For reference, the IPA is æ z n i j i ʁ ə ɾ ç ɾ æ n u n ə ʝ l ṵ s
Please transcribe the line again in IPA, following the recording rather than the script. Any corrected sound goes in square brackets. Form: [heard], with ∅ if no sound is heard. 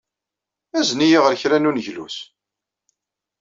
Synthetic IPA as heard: æ z n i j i ʁ ə ɾ ç ɾ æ n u n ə ʝ l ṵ s